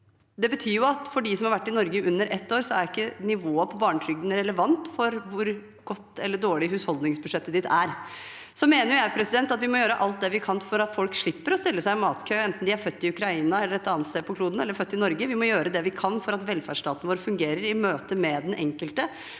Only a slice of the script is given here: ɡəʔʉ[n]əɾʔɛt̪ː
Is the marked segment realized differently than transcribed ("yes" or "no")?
yes